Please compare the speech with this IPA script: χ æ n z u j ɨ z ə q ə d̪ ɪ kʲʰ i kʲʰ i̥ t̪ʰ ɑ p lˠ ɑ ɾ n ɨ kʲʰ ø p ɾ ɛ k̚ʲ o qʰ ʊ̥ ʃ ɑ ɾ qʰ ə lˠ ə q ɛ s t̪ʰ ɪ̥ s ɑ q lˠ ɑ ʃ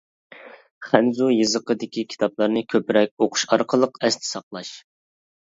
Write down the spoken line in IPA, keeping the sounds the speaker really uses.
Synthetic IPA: χ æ n z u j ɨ z ə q ə d̪ ɪ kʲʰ i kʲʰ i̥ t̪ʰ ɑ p lˠ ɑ ɾ n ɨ kʲʰ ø p ɾ ɛ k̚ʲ o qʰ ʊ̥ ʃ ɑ ɾ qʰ ə lˠ ə q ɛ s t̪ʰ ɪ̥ s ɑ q lˠ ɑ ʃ